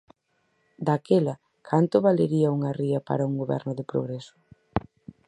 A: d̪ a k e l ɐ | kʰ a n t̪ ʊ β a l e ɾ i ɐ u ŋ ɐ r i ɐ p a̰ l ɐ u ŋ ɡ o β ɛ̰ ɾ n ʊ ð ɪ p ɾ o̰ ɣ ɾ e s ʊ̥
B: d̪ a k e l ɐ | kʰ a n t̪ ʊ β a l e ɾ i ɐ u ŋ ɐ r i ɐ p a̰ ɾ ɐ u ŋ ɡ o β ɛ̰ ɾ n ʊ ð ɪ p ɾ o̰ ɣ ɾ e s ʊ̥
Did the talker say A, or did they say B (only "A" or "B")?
B